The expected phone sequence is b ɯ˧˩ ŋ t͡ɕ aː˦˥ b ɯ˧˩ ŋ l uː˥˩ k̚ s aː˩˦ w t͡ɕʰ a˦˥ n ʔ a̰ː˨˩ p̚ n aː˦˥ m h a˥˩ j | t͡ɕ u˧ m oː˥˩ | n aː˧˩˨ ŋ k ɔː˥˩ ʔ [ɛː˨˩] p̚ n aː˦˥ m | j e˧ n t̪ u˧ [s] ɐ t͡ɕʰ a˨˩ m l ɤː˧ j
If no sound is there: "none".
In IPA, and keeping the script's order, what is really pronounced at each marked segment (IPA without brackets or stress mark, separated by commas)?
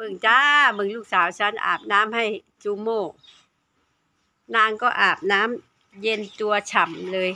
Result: aː˨˩, none